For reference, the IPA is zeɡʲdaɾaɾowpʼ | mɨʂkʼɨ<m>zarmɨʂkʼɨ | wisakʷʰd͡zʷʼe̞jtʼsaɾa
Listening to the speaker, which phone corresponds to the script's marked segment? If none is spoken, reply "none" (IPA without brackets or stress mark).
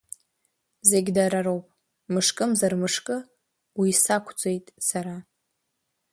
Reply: m